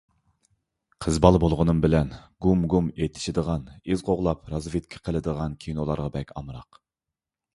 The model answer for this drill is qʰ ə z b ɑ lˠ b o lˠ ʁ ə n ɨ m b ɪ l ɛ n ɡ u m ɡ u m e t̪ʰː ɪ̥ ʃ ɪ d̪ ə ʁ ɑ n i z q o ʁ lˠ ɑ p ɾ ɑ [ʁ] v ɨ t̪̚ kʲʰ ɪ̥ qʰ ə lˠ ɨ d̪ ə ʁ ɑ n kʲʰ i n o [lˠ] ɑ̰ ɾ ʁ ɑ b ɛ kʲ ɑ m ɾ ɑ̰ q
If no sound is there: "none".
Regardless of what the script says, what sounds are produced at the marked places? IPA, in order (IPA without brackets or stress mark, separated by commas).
z, lˠ